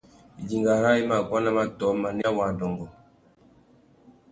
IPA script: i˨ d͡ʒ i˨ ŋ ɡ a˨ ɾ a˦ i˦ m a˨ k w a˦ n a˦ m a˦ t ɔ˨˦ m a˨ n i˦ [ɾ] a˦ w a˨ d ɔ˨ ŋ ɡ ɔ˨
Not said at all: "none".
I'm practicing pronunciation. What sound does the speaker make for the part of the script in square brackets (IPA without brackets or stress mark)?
none